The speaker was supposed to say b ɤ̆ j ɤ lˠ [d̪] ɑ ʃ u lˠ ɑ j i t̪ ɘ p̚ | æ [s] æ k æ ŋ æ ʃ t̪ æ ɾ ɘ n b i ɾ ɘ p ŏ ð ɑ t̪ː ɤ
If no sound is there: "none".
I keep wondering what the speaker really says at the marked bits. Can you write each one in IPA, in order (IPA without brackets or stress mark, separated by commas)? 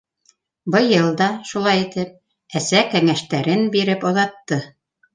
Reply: d̪, s